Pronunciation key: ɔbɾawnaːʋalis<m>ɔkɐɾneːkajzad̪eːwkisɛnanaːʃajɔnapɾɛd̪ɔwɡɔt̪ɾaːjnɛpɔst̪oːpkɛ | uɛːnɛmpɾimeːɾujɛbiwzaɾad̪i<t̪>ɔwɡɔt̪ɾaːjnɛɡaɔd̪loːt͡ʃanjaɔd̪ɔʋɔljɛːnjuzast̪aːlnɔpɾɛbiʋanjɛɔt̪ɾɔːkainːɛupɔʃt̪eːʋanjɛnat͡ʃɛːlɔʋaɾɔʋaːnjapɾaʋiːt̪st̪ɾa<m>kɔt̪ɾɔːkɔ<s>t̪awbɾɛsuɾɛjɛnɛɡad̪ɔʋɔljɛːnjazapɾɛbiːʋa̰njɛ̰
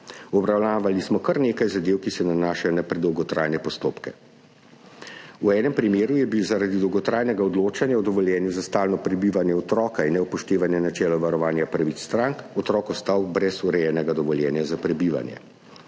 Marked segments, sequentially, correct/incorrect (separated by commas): correct, incorrect, incorrect, correct